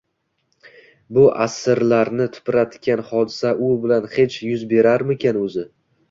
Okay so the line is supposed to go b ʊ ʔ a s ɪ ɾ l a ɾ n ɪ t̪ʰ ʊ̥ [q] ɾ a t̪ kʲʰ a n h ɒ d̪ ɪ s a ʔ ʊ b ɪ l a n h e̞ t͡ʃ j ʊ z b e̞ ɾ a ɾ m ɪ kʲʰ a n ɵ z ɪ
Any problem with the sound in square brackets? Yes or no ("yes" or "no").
yes